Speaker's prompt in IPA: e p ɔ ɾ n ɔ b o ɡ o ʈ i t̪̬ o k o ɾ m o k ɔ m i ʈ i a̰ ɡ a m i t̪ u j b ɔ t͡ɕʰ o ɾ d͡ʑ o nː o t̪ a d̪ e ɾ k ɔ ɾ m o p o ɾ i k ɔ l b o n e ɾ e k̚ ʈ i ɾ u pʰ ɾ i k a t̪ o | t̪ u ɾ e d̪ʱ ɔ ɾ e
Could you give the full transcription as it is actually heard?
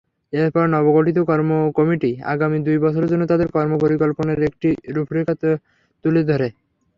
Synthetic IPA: e p ɔ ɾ n ɔ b o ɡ o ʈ i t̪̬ o k ɔ ɾ m o k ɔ m i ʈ i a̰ ɡ a m i d̪ u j b ɔ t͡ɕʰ o ɾ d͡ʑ o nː o t̪ a d̪ e ɾ k ɔ ɾ m o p o ɾ i k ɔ l p o n e ɾ e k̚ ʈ i ɾ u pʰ ɾ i k a t̪ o | t̪ u l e d̪ʱ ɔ ɾ e